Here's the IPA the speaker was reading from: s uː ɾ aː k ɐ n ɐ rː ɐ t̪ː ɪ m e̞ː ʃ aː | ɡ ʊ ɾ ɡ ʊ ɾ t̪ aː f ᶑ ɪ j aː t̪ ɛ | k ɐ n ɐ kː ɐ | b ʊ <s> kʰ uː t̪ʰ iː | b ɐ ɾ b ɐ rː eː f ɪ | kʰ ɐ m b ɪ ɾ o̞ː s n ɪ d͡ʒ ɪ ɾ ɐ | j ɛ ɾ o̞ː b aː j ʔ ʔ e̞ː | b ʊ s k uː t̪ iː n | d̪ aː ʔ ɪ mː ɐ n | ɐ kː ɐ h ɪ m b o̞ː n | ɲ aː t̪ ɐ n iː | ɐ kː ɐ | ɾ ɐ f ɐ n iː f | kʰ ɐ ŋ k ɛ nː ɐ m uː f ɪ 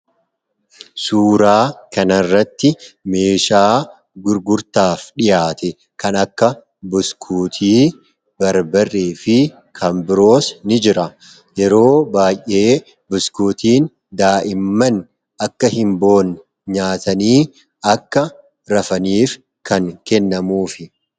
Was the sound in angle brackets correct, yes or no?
yes